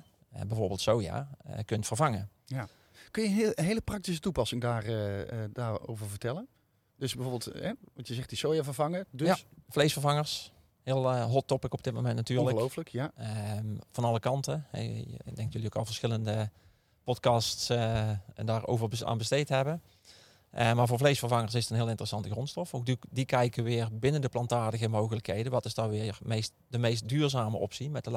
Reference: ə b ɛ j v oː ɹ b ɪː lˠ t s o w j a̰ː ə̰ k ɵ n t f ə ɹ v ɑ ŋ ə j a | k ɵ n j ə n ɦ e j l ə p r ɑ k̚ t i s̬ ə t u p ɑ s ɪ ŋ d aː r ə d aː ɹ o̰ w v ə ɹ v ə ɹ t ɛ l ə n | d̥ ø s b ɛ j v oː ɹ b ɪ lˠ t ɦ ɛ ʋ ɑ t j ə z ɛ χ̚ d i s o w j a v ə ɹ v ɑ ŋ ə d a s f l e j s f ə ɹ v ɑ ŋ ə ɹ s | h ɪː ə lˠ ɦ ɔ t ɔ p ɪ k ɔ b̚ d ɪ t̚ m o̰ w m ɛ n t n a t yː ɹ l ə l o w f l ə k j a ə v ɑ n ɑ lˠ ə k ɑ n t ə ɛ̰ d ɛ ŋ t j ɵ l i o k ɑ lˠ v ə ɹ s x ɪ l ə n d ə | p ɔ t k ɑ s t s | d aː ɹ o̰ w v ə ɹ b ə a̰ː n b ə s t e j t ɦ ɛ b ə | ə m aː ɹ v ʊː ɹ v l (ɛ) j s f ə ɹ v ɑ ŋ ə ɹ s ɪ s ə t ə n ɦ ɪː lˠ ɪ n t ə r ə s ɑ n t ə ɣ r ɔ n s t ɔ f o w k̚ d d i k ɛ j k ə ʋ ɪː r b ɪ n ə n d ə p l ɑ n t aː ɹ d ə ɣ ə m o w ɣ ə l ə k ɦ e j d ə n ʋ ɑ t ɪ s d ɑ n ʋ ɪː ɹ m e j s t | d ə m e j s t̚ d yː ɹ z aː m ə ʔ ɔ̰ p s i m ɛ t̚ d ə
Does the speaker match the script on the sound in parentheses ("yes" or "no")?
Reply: no